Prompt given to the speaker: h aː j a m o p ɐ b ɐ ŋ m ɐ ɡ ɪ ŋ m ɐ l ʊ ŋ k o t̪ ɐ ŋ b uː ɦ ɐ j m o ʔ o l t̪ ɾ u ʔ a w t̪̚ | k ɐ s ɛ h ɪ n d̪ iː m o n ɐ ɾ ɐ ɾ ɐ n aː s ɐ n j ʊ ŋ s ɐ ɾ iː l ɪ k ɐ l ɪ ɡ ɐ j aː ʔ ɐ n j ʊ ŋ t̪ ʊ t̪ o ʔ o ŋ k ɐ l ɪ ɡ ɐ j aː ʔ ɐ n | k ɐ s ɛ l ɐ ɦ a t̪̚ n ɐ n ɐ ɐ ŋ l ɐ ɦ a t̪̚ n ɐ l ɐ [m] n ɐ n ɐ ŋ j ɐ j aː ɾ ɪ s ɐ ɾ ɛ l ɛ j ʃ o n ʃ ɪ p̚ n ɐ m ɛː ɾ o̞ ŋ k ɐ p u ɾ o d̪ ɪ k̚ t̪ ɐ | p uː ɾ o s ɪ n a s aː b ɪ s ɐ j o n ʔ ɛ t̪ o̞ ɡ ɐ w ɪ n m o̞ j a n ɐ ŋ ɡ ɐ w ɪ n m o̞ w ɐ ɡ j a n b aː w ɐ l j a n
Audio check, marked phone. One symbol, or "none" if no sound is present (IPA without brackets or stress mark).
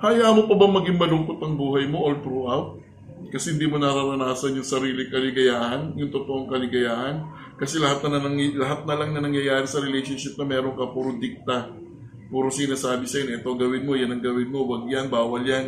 ŋ